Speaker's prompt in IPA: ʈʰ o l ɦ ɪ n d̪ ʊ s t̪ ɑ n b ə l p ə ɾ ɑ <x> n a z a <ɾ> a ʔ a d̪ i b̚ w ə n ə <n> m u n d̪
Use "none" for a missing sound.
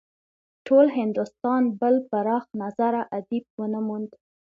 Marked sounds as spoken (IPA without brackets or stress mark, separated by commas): x, ɾ, none